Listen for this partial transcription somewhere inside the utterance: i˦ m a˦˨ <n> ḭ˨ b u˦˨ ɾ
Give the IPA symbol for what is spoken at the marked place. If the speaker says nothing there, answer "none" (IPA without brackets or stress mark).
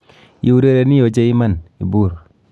n